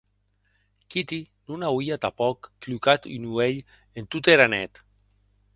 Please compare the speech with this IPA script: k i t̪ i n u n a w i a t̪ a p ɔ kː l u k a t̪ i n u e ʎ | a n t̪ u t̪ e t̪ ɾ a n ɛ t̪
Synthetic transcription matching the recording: k i t̪ i n u n a w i a t̪ a p ɔ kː l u k a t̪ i n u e ʎ | e n t̪ u t̪ e ɾ a n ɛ t̪